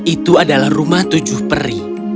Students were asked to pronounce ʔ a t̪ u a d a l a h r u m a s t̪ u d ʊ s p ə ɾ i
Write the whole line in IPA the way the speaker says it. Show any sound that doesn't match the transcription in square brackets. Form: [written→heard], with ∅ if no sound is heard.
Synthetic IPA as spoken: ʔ [a→i] t̪ u a d a l a h r u m a [s→h] t̪ u [d→d͡ʒ] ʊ [s→h] p ə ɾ i

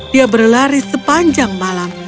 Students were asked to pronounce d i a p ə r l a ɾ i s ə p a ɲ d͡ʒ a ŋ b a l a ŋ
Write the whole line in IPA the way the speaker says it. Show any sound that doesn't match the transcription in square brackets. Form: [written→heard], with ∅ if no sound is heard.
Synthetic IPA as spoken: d i a [p→b] ə r l a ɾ i s ə p a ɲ d͡ʒ a ŋ [b→m] a l a [ŋ→m]

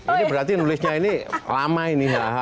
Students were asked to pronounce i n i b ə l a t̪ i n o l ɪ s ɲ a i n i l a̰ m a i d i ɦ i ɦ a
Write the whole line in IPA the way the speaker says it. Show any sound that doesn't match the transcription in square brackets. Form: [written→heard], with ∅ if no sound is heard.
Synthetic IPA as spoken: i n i b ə [l→ɾ] a t̪ i n [o→u] l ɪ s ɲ a i n i l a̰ m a i [d→n] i ɦ [i→a] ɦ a

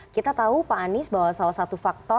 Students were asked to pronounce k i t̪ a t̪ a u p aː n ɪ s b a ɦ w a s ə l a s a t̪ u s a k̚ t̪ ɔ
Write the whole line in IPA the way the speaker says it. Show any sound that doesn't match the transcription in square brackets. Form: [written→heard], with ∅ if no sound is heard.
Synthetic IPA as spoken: k i t̪ a t̪ a u p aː n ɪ s b a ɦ w a s [ə→a] l a s a t̪ u [s→f] a k̚ t̪ ɔ

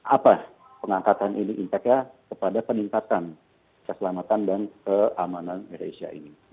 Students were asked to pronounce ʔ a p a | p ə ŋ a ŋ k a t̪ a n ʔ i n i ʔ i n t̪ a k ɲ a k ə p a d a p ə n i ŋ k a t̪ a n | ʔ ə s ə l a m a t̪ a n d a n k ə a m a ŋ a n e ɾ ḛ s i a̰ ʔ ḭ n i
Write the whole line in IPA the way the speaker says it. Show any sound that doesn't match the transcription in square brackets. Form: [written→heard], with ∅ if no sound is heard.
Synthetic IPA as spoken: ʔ a p a | p ə ŋ a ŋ k a t̪ a n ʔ i n i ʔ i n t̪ a k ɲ a k ə p a d a p ə n i ŋ k a t̪ a n | [ʔ→k] ə s ə l a m a t̪ a n d a n k ə a m a [ŋ→n] a n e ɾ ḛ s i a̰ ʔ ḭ n i

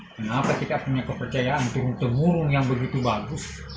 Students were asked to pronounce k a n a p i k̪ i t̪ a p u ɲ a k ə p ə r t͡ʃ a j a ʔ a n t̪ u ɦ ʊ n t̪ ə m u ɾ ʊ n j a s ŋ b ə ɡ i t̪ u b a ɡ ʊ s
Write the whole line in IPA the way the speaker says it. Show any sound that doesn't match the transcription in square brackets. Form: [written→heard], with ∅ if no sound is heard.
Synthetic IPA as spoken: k [a→ə] n a p [i→a] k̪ i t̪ a p u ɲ a k ə p ə r t͡ʃ a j a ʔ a n t̪ u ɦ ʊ n t̪ ə m u ɾ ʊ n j a [s→∅] ŋ b ə ɡ i t̪ u b a ɡ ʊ s

